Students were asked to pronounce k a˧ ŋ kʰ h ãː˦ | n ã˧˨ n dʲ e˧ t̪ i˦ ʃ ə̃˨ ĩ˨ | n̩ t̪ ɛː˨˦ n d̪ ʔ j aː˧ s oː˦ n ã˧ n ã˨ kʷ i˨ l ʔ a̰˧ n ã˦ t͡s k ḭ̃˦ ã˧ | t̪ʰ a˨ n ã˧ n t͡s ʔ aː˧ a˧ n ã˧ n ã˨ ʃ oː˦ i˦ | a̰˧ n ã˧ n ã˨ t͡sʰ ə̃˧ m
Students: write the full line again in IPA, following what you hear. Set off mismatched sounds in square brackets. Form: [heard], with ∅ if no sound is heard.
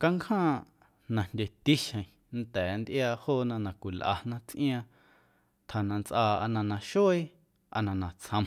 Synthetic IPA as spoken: k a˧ ŋ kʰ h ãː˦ | n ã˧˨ n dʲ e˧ t̪ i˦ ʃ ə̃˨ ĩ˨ | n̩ t̪ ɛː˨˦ n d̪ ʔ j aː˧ [h] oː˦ n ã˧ n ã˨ kʷ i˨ l ʔ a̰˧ n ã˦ t͡s [ʔ] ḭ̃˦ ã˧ | t̪ʰ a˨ n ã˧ n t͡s ʔ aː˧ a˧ n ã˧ n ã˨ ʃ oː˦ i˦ | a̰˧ n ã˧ n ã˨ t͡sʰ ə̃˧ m